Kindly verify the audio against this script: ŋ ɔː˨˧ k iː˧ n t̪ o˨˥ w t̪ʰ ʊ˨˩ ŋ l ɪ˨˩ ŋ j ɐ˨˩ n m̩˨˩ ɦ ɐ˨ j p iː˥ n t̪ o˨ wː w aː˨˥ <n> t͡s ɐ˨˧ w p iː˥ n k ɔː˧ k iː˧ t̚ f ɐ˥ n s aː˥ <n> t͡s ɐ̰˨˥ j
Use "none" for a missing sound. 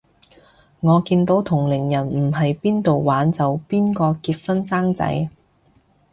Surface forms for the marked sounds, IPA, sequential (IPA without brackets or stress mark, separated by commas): n, ŋ